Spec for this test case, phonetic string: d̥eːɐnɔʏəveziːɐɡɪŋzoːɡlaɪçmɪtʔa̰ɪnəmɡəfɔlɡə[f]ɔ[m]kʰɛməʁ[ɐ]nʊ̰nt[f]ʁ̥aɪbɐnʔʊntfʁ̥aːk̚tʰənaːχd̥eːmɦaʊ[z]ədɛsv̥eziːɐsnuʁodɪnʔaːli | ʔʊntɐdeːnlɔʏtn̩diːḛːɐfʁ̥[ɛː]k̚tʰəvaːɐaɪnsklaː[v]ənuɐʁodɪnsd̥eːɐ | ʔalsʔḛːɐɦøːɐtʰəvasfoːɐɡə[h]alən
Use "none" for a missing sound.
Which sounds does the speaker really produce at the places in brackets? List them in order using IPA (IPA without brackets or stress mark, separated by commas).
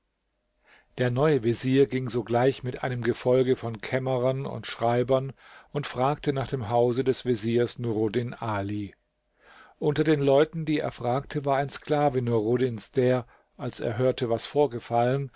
f, n, ɐ, ʃ, z, aː, v, f